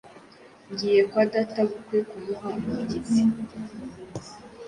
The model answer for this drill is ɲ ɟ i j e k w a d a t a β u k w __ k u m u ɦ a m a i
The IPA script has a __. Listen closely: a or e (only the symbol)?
e